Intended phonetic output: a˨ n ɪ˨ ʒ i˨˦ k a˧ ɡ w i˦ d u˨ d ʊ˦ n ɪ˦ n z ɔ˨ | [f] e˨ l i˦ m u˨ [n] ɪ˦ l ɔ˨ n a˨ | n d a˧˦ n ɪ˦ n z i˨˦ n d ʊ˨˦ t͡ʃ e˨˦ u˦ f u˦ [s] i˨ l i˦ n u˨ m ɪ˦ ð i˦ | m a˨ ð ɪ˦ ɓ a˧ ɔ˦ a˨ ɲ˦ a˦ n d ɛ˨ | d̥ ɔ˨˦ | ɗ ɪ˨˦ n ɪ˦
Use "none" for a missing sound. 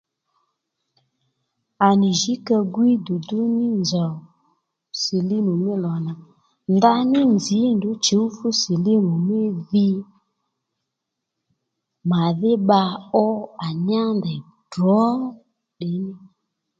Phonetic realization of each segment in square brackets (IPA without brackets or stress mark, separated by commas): s, m, s